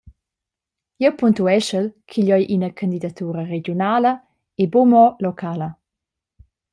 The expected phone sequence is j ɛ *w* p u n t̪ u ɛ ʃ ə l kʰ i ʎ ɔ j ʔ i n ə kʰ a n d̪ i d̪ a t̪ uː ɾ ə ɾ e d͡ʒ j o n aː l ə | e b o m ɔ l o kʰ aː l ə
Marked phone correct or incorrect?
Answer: correct